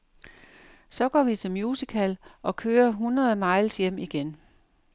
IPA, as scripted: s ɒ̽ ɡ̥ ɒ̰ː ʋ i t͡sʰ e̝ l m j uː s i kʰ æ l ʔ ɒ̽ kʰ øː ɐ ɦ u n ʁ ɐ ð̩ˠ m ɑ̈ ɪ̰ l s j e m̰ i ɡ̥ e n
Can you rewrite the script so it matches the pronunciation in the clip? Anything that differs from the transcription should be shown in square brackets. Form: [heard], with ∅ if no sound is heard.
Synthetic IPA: s ɒ̽ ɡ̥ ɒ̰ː ʋ i t͡sʰ e̝ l m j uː s i kʰ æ l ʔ ɒ̽ kʰ øː ɐ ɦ u n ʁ ɐ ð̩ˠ m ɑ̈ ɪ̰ l s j e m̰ i ɡ̥ e n